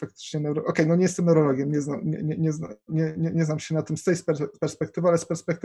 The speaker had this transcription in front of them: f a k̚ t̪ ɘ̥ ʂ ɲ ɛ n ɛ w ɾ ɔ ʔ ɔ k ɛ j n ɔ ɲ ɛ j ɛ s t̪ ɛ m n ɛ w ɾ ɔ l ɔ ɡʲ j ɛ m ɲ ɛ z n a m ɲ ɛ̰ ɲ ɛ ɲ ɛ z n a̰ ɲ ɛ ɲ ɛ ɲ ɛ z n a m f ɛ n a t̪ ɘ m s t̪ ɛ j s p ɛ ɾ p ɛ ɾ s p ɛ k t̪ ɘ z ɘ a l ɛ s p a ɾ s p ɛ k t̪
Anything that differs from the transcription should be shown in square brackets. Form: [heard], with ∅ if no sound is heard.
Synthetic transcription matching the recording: f a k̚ t̪ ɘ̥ [t͡ʂ] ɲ ɛ n ɛ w ɾ ɔ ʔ ɔ k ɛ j n ɔ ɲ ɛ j ɛ s t̪ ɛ m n ɛ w ɾ ɔ l ɔ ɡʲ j ɛ m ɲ ɛ z n a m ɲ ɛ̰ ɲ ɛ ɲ ɛ z n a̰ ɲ ɛ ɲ ɛ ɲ ɛ z n a m [ɕ] ɛ n a t̪ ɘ m s t̪ ɛ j s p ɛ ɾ p ɛ ɾ s p ɛ k t̪ ɘ [v] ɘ a l ɛ s p [ɛ] ɾ s p ɛ k t̪